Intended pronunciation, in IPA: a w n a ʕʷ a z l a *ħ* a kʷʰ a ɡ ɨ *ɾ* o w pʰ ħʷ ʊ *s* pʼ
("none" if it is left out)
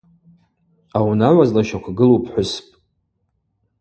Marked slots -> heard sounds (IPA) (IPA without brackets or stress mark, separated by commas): ʃ, l, s